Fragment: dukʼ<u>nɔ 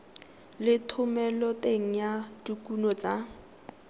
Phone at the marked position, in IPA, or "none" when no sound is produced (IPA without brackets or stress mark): u